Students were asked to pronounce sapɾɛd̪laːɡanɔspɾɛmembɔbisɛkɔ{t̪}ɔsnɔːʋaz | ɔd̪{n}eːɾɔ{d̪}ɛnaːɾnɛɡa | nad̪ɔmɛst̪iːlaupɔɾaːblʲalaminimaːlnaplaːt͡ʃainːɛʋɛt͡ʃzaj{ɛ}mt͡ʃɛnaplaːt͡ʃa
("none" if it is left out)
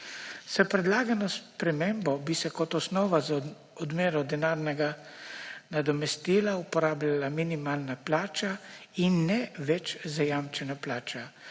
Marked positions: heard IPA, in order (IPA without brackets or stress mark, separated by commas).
t̪, m, d̪, a